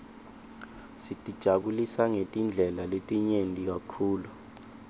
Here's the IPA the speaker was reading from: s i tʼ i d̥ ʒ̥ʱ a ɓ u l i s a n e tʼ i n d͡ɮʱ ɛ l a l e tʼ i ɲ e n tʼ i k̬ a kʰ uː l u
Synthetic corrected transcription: s i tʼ i d̥ ʒ̥ʱ a ɓ u l i s a ŋ e tʼ i n d͡ɮʱ ɛ l a l e tʼ i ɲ e n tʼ i k̬ a kʰ uː l u